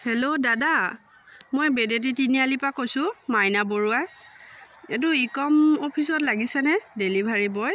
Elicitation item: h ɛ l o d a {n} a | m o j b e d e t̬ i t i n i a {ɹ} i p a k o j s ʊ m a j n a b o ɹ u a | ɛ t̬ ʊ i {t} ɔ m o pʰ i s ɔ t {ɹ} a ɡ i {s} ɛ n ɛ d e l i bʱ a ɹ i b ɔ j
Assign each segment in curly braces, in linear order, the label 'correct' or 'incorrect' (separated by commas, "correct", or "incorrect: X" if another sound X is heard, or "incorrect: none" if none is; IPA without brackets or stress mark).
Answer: incorrect: d, incorrect: l, incorrect: k, incorrect: l, correct